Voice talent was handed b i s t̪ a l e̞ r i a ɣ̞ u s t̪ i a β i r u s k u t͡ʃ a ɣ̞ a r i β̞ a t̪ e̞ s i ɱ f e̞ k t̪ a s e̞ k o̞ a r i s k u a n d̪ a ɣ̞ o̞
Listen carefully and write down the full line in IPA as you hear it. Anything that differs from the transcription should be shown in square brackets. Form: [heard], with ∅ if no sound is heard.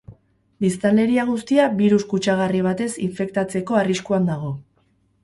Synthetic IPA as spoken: b i s t̪ a l e̞ [ɾ] i a ɣ̞ u s t̪ i a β i [ɾ] u s k u t͡ʃ a ɣ̞ a r i β̞ a t̪ e̞ s i ɱ f e̞ k t̪ a [t͡s] e̞ k o̞ a r i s k u a n d̪ a ɣ̞ o̞